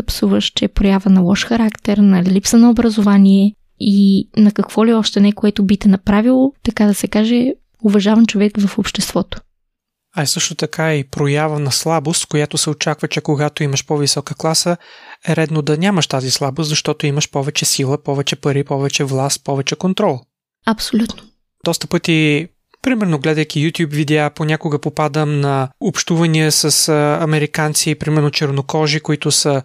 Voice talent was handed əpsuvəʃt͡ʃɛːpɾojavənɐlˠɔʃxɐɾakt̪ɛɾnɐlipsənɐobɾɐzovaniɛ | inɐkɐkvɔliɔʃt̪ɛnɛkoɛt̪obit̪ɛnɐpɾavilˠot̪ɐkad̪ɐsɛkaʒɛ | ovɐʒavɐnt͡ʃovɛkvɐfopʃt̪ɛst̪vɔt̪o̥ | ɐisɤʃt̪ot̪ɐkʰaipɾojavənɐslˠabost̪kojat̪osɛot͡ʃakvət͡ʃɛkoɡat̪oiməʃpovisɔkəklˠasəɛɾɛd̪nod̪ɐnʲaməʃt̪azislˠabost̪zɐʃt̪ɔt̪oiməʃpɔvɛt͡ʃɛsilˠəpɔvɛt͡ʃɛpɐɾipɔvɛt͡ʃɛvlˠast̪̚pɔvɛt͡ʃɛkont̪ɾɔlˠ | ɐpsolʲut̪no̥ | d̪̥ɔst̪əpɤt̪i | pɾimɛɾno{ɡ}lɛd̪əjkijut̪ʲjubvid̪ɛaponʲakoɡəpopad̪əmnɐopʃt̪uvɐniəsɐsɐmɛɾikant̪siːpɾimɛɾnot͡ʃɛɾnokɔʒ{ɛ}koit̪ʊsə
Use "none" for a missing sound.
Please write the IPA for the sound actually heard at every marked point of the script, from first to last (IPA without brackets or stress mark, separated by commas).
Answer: ɡ, i